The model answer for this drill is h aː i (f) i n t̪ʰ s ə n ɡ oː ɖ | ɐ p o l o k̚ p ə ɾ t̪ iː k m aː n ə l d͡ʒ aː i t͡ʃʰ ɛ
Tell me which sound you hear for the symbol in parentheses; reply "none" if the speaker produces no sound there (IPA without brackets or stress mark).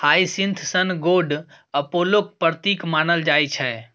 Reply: s